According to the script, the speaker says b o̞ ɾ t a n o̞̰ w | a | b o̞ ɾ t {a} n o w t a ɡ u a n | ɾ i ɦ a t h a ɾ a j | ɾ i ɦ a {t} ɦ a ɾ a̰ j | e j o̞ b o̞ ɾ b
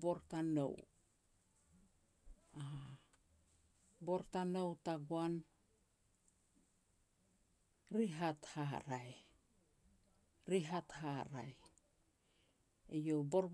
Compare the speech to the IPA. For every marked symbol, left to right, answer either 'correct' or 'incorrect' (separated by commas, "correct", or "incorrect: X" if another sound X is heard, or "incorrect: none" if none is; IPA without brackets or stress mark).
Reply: correct, correct